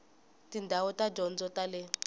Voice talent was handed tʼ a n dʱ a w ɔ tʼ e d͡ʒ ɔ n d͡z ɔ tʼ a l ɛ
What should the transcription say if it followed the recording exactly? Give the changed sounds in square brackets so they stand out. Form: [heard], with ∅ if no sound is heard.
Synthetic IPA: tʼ [i] n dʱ a w ɔ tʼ [a] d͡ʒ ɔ n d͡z ɔ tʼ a l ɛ